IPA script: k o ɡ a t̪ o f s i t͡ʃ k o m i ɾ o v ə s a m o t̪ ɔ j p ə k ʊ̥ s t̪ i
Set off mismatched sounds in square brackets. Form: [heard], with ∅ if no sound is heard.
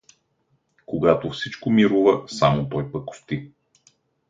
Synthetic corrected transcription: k o ɡ a t̪ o f s i t͡ʃ k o m i ɾ [u] v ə s a m o t̪ ɔ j p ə k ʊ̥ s t̪ i